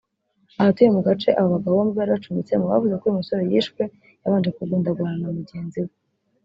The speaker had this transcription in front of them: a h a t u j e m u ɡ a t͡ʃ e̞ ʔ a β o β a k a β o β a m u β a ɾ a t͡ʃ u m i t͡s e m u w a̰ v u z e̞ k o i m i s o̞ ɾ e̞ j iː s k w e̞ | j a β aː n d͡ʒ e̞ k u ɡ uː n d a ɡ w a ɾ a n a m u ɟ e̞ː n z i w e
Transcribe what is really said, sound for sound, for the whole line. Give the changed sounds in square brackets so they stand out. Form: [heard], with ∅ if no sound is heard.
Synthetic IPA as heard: a h a t u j e m u ɡ a t͡ʃ e̞ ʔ a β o β a [ɡ] a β o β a m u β a ɾ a t͡ʃ u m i t͡s e m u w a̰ v u z e̞ k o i m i s o̞ ɾ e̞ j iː [ʃ] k w e̞ | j a β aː n d͡ʒ e̞ k u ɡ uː n d a ɡ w a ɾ a n a m u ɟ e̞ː n z i w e